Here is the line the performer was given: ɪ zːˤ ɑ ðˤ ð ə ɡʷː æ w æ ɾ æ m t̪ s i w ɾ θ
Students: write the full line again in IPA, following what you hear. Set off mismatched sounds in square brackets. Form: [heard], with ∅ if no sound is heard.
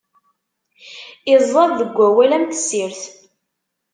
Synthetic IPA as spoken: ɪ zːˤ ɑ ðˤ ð ə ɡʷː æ w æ [l] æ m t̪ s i [∅] ɾ θ